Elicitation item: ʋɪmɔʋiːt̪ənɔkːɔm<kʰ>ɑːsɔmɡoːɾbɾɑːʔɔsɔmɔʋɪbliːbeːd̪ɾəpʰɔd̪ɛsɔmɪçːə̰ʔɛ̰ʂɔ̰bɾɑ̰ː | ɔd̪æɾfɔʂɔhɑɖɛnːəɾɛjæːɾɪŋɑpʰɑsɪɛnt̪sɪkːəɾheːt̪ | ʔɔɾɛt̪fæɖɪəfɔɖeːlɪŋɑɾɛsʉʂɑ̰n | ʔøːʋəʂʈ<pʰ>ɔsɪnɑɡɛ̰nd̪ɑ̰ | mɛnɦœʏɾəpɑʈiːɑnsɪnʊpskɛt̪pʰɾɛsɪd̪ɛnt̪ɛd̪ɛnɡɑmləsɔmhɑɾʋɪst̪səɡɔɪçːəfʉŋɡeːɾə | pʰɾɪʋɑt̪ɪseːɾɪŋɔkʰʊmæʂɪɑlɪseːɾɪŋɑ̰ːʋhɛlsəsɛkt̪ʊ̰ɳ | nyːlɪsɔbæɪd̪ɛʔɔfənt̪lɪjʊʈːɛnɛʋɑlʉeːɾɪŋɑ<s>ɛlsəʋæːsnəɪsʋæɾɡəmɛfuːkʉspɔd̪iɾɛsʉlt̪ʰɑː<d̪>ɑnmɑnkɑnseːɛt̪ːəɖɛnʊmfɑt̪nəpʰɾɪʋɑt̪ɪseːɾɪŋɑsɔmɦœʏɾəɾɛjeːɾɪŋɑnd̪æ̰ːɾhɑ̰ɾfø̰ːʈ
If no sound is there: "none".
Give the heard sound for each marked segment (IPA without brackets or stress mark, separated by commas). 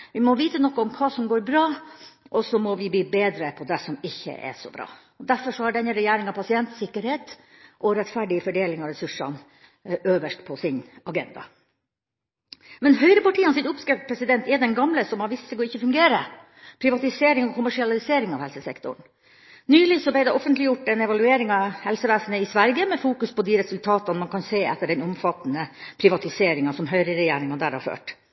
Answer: kʰ, pʰ, h, t̪